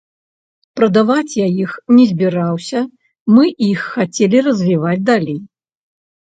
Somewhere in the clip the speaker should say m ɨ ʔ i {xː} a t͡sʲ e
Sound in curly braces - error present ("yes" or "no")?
no